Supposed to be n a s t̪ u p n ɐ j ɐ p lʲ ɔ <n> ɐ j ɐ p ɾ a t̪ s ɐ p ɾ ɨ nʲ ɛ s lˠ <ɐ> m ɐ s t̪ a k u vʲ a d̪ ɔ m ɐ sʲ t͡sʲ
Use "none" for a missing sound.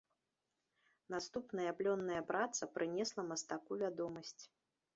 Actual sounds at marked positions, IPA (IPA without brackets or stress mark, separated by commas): nː, ɐ